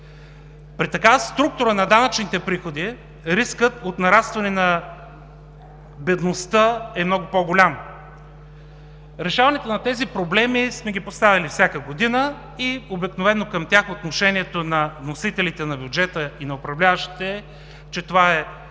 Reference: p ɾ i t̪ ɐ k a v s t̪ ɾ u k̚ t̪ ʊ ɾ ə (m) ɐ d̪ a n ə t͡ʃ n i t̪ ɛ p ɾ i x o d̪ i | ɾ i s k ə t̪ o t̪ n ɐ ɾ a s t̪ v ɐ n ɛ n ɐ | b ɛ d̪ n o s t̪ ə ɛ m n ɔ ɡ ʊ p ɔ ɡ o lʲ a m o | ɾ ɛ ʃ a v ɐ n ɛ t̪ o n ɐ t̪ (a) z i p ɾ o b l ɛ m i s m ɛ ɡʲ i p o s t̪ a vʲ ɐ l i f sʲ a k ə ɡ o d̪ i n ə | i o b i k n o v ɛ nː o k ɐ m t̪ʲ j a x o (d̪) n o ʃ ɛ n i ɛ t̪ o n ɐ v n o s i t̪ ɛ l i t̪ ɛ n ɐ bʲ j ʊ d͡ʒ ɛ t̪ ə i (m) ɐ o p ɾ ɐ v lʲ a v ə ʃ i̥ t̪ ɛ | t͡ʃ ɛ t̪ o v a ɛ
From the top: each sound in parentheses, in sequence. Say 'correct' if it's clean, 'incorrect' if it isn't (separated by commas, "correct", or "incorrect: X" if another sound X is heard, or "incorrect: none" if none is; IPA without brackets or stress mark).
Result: incorrect: n, incorrect: ɛ, incorrect: t̪, incorrect: n